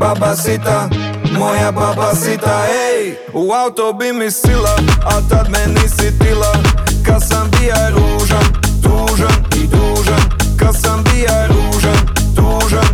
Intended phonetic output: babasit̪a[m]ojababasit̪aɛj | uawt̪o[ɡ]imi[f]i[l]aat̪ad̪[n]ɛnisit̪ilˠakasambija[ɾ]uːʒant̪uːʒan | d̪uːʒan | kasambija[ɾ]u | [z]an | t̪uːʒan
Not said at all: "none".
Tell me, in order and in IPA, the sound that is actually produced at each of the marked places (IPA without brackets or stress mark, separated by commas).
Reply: m, b, s, l, m, ɾ, ɾ, ʒ